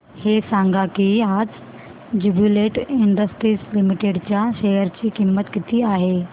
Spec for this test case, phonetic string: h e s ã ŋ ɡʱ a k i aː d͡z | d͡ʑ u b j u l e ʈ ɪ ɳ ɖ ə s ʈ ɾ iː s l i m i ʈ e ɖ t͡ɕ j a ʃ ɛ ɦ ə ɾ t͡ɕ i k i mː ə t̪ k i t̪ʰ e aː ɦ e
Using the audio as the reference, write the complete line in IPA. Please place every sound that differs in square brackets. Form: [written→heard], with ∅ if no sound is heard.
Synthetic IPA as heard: h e s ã ŋ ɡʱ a k i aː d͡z | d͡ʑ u b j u l e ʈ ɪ ɳ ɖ ə s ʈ ɾ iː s l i m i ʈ e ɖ t͡ɕ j a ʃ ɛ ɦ ə ɾ t͡ɕ i k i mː ə t̪ k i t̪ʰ [e→i] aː ɦ e